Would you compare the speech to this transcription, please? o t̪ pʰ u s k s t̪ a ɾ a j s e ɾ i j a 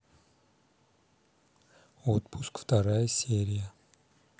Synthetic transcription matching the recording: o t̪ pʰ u s k f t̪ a ɾ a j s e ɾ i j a